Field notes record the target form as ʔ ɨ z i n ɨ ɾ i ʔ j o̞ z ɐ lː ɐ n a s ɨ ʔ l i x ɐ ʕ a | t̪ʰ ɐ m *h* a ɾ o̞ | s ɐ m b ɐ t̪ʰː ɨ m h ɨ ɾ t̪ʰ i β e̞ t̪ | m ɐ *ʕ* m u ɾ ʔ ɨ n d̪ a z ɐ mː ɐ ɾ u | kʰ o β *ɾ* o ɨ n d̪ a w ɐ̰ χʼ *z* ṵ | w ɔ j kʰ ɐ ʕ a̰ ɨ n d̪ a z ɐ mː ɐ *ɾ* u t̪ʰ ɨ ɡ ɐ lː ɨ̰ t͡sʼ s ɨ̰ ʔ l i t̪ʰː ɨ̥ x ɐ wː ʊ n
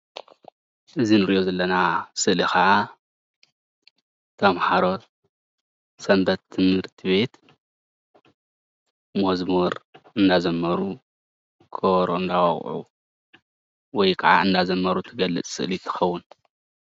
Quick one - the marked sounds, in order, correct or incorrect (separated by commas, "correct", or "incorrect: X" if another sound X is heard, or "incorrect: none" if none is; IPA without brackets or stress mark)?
incorrect: ħ, incorrect: z, correct, incorrect: ʕ, correct